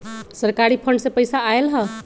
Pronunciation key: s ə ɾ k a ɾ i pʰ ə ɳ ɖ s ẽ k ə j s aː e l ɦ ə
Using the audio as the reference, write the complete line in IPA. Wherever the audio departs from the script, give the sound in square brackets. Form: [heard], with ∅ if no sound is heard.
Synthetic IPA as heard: s ə ɾ k a ɾ i pʰ ə ɳ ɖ s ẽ [p] ə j s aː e l ɦ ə